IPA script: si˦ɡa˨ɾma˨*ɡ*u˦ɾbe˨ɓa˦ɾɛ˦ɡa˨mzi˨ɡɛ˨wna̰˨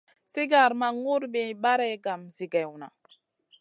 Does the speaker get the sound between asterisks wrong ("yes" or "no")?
yes